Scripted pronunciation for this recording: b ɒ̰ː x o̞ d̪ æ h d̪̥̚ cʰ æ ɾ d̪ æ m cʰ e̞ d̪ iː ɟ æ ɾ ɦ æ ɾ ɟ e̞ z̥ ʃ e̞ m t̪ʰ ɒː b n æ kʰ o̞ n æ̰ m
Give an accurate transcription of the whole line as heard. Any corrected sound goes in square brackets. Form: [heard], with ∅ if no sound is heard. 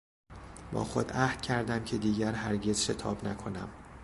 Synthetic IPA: b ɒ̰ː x o̞ d̪ æ h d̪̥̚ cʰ æ ɾ d̪ æ m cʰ e̞ d̪ iː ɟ æ ɾ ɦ æ ɾ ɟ e̞ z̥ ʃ e̞ [∅] t̪ʰ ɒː b n æ kʰ o̞ n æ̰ m